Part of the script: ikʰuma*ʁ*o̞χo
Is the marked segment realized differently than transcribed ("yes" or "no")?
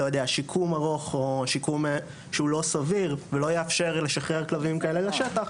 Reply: no